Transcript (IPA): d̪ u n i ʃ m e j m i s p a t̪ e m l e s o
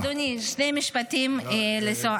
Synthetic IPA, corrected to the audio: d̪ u n i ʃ n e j m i ʃ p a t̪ i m l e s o